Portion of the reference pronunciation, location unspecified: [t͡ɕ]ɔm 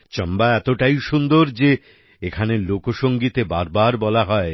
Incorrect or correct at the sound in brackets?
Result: correct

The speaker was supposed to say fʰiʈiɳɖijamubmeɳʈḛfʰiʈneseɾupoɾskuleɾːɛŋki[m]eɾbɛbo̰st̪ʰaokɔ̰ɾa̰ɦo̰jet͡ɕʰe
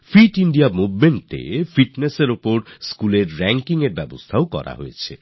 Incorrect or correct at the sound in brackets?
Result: incorrect: ŋ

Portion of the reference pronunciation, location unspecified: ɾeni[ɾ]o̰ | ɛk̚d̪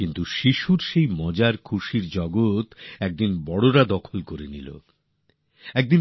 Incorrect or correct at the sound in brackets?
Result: incorrect: l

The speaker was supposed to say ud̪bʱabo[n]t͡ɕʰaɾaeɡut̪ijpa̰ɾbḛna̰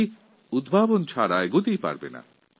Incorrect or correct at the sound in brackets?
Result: correct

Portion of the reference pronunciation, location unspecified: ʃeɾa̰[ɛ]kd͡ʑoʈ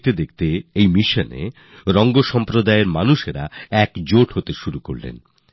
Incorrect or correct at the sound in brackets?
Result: correct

